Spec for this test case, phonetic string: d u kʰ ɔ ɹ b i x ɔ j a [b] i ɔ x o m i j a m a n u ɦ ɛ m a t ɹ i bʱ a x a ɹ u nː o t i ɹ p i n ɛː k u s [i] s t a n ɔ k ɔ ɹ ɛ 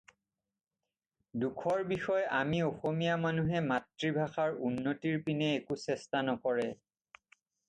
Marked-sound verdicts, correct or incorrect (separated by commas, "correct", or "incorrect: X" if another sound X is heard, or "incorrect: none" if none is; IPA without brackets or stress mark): incorrect: m, incorrect: ɛ